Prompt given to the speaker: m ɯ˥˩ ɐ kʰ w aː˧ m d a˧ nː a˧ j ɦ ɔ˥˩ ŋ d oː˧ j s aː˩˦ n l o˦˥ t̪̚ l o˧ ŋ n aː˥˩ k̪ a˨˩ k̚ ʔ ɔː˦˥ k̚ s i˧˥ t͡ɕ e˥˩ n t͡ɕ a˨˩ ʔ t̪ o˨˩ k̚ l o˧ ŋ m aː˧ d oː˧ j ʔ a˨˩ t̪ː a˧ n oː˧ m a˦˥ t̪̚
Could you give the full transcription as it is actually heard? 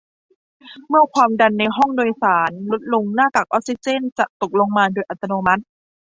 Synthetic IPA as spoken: m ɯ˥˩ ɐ kʰ w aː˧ m d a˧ nː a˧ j ɦ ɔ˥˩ ŋ d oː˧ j s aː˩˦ n l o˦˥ t̪̚ l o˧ ŋ n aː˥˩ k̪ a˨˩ k̚ ʔ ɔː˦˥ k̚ s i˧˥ t͡ɕ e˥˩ n t͡ɕ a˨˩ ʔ t̪ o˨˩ k̚ l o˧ ŋ m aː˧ d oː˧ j ʔ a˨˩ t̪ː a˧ n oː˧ m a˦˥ t̪̚

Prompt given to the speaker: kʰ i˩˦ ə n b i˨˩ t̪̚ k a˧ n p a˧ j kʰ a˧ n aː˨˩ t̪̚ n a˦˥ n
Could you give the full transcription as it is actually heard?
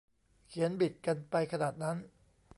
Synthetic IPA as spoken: kʰ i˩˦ ə n b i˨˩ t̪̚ k a˧ n p a˧ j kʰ a˧ n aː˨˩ t̪̚ n a˦˥ n

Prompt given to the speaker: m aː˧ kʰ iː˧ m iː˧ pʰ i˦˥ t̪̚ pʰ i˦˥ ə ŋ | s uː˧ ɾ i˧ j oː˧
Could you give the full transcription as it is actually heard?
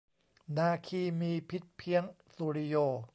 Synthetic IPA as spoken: n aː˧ kʰ iː˧ m iː˧ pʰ i˦˥ t̪̚ pʰ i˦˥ ə ŋ | s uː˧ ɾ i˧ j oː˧

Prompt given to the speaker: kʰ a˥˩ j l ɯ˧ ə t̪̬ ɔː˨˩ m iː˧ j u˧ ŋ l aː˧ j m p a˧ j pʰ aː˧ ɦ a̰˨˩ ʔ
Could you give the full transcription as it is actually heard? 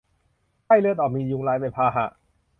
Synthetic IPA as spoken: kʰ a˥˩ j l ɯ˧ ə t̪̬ ɔː˨˩ m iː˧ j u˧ ŋ l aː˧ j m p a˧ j pʰ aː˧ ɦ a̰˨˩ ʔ

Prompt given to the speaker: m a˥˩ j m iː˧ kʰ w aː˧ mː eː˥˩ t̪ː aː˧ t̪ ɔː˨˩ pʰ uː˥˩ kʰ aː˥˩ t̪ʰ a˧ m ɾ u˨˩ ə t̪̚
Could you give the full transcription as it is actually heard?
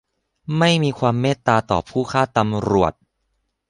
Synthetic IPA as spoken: m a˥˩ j m iː˧ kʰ w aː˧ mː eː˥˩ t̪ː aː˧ t̪ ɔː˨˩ pʰ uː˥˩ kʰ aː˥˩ t̪ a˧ m ɾ u˨˩ ə t̪̚

